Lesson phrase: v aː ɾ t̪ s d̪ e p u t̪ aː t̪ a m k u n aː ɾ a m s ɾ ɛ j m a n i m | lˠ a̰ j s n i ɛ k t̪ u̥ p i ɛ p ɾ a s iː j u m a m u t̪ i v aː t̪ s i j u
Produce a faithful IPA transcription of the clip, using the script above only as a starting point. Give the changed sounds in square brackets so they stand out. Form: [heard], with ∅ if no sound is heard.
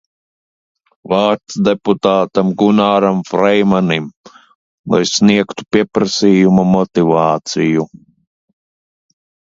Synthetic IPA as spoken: v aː ɾ t̪ s d̪ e p u t̪ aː t̪ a m [ɡ] u n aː ɾ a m [f] ɾ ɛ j m a n i m | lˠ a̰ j s n i ɛ k t̪ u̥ p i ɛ p ɾ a s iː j u m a m [ɔ] t̪ i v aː t̪ s i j u